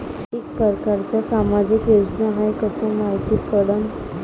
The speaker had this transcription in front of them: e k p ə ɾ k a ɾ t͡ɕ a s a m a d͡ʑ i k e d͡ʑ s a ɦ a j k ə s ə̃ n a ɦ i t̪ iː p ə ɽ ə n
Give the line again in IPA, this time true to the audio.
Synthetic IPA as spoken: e k p ə ɾ k a ɾ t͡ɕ a s a m a d͡ʑ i k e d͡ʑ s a ɦ a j k ə s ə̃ m a ɦ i t̪ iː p ə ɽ ə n